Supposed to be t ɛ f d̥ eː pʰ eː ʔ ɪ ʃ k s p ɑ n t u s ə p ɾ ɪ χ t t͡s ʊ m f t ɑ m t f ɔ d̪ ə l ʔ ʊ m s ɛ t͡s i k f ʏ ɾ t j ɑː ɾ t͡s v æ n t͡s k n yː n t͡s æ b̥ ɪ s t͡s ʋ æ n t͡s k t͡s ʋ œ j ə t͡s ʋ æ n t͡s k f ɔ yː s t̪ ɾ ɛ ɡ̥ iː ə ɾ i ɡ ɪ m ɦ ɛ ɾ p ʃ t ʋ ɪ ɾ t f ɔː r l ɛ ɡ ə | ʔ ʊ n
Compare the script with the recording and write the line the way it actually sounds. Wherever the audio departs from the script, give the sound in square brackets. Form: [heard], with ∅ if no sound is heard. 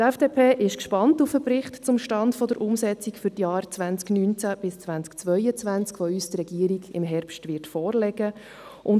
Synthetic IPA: t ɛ f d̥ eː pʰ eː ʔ ɪ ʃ k [ʃ] p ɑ n t u [f] ə p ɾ ɪ χ t t͡s ʊ m [ʃ] t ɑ [n] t f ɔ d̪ ə [ɾ] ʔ ʊ m s ɛ t͡s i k f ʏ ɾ t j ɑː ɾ t͡s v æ n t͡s k n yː n t͡s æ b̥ ɪ s t͡s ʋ æ n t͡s k t͡s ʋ œ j ə t͡s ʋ æ n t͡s k f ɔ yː s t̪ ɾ ɛ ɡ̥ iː ə ɾ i ɡ ɪ m ɦ ɛ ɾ p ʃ t ʋ ɪ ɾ t f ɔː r l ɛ ɡ ə | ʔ ʊ n